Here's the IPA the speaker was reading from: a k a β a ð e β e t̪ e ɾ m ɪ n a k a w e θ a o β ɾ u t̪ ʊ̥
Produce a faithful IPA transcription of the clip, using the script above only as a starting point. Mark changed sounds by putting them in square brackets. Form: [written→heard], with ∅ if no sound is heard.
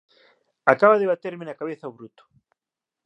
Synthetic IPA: a k a β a ð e β [e→a] t̪ e ɾ m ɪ n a k a [w→β] e θ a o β ɾ u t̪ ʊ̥